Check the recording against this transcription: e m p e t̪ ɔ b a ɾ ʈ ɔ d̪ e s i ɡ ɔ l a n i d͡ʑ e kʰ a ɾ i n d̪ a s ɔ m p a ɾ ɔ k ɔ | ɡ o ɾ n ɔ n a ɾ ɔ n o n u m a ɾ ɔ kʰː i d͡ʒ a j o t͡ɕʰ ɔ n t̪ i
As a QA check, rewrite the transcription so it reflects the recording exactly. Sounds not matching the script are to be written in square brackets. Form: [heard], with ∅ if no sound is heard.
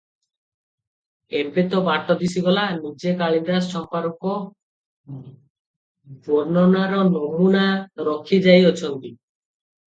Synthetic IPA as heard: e m p e t̪ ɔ b a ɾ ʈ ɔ d̪ [i] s i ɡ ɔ l a n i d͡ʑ e [k] a [ɭ] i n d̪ a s ɔ m p a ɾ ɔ k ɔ | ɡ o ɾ n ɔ n a ɾ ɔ n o [m] u [n] a ɾ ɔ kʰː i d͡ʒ a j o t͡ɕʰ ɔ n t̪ i